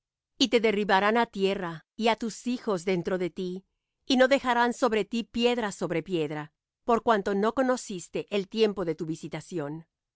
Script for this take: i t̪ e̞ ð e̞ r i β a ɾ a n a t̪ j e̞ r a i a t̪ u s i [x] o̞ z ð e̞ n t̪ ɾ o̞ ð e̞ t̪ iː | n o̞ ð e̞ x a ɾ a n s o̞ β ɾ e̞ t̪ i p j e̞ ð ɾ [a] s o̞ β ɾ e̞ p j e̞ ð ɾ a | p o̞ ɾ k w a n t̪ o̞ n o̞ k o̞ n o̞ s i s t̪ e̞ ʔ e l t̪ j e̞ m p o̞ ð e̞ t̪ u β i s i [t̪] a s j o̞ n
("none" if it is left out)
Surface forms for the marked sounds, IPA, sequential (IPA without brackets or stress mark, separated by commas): x, a, t̪